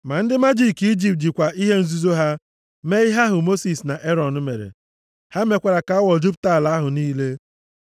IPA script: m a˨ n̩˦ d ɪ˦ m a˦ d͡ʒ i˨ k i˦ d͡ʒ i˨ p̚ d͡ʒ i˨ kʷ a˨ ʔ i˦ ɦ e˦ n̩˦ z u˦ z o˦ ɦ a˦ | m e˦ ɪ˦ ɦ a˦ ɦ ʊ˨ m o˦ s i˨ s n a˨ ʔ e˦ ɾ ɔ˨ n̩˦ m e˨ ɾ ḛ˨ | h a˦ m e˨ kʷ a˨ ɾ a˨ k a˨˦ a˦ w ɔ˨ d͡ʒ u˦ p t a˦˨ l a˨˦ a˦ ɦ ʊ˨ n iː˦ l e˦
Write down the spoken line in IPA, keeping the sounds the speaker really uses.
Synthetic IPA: m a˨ n̩˦ d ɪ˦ m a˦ d͡ʒ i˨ k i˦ d͡ʒ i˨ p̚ d͡ʒ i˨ kʷ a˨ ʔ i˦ ɦ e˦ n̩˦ z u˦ z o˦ ɦ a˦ | m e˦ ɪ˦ ɦ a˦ ɦ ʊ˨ m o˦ s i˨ s n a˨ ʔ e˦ ɾ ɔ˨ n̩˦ m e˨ ɾ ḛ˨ | h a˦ m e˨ kʷ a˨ ɾ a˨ k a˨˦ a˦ w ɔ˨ d͡ʒ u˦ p t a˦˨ l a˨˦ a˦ ɦ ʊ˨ n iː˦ l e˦